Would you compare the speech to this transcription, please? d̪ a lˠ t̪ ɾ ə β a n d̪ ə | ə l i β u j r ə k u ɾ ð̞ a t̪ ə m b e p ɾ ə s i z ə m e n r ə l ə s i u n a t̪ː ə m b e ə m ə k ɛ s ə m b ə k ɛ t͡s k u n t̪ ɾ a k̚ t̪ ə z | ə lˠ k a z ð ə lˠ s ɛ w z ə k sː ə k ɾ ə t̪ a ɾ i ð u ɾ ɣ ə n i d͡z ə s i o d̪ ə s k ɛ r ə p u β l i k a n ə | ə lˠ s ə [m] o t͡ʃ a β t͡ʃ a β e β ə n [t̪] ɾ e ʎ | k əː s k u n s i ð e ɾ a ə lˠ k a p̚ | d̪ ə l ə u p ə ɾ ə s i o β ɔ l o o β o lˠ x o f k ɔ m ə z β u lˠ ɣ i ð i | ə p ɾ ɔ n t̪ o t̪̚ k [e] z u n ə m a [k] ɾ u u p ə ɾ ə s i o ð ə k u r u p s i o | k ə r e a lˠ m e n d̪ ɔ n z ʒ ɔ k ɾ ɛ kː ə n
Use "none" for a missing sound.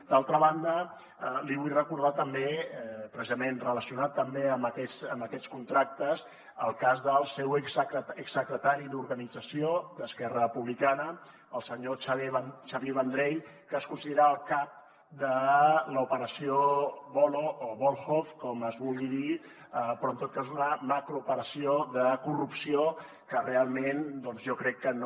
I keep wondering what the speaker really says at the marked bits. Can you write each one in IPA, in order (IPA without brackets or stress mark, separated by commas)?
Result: ɲ, d̪, a, k